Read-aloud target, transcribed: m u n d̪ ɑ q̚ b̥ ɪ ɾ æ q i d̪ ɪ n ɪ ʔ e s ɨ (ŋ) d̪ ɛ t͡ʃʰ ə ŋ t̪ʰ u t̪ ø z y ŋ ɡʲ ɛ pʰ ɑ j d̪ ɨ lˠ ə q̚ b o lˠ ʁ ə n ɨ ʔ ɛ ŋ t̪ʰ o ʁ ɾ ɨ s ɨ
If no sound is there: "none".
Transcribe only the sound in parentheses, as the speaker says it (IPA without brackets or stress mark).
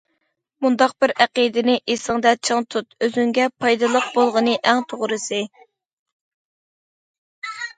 ŋ